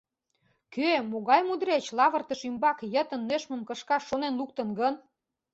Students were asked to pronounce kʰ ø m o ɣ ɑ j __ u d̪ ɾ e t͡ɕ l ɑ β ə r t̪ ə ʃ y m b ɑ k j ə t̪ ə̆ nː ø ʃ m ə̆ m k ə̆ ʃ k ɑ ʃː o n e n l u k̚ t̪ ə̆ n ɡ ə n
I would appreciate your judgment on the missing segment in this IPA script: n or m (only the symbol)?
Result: m